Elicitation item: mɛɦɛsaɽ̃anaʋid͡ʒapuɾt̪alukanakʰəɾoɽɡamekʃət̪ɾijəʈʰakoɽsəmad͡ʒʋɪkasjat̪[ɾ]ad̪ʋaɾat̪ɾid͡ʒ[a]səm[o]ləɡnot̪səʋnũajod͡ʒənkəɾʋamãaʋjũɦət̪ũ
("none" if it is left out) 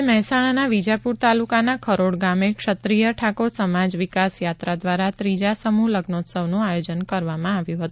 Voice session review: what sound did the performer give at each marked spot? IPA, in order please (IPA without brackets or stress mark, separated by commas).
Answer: ɾ, a, u